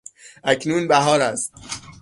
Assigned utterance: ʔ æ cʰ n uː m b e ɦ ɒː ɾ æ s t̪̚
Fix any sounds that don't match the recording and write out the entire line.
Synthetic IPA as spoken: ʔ æ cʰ n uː n b æ ɦ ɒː ɾ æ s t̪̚